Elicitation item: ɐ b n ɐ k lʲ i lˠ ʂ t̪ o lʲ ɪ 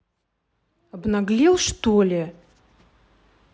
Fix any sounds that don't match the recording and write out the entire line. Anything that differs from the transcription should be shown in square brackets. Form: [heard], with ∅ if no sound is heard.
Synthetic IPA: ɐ b n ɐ [ɡ] lʲ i lˠ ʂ t̪ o lʲ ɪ

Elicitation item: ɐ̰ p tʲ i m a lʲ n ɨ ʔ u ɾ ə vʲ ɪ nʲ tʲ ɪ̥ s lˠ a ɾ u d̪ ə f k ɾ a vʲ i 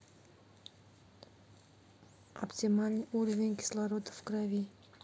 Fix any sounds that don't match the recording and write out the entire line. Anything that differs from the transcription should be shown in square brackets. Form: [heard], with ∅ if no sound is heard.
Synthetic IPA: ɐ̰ p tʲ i m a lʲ n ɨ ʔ u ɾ ə vʲ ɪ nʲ [kʲ] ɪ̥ s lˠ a ɾ [o] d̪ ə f k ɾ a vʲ i

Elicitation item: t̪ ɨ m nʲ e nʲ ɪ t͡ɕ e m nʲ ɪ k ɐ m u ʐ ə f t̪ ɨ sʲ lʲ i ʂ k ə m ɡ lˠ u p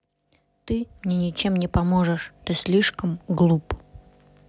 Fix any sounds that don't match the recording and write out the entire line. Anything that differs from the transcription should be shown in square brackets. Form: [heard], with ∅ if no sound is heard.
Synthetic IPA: t̪ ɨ m nʲ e nʲ ɪ t͡ɕ e m nʲ ɪ [p] ɐ m [o] ʐ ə [ʂ] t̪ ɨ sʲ lʲ i ʂ k ə m ɡ lˠ u p

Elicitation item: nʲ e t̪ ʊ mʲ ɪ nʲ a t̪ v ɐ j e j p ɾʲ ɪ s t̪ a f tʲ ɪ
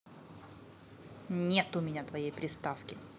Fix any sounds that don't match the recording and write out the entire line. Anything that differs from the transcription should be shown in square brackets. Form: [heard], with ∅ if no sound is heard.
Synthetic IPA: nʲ e t̪ ʊ mʲ ɪ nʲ a t̪ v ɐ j e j p ɾʲ ɪ s t̪ a f [kʲ] ɪ

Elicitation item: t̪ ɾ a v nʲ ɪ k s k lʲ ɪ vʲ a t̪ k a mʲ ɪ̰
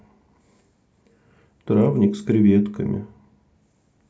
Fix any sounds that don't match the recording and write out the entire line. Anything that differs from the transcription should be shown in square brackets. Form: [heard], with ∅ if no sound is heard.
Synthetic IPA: t̪ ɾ a v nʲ ɪ k s k [ɾʲ] ɪ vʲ [e] t̪ k [ə] mʲ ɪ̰

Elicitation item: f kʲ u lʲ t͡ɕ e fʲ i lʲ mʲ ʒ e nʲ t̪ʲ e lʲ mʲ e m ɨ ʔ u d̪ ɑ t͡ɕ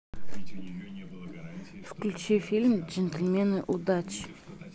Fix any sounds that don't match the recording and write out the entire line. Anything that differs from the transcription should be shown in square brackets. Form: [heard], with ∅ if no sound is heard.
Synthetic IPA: f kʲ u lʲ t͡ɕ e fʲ i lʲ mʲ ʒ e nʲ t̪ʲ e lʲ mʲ e [n] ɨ ʔ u d̪ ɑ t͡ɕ

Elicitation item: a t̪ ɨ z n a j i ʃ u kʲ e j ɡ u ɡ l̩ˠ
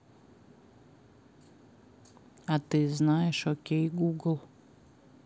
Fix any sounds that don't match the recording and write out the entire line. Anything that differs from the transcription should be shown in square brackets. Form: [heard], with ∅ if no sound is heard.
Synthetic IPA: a t̪ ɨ z n a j [ɛ] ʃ [ɔ] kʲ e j ɡ u ɡ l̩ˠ

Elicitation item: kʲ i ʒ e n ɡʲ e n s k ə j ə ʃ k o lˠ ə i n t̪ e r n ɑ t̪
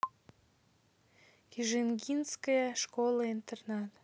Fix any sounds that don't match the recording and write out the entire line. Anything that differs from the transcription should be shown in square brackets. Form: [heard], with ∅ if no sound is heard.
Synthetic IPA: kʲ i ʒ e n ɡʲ [i] n s k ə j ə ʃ k o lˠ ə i n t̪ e r n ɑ t̪

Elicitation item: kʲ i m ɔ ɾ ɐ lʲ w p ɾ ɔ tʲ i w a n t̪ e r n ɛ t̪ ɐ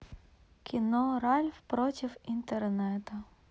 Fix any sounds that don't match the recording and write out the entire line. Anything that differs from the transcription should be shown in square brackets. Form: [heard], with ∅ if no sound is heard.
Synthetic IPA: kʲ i [n] ɔ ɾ [ɑ] lʲ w p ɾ ɔ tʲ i w [i] n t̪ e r n ɛ t̪ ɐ

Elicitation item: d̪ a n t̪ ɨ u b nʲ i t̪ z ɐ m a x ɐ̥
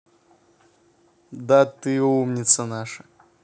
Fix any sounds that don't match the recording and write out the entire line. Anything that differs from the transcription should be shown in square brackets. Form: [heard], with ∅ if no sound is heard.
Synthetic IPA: d̪ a [∅] t̪ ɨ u [m] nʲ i t̪ [s] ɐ [n] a [ʂ] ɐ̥

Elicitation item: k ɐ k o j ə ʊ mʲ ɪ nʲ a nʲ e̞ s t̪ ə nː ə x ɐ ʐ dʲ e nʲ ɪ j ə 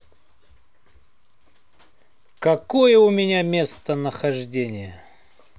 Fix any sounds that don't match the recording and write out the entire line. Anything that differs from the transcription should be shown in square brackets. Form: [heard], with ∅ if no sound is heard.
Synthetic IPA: k ɐ k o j ə ʊ mʲ ɪ nʲ a [mʲ] e̞ s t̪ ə [n] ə x ɐ ʐ dʲ e nʲ ɪ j ə

